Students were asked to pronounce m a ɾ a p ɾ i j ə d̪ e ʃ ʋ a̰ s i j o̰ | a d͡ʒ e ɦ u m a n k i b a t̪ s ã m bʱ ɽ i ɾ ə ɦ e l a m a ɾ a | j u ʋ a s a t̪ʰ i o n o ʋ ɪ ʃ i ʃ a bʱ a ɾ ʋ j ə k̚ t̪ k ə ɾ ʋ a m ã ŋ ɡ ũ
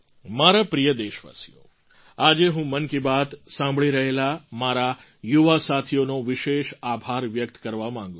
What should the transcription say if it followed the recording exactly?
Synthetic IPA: m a ɾ a p ɾ i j ə d̪ e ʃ ʋ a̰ s i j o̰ | a d͡ʒ e ɦ ũ m ə n k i b a t̪ s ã m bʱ ɭ i ɾ ə ɦ e l a m a ɾ a | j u ʋ a s a t̪ʰ i o n o ʋ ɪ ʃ e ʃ a bʱ a ɾ ʋ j ə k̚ t̪ k ə ɾ ʋ a m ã ŋ ɡ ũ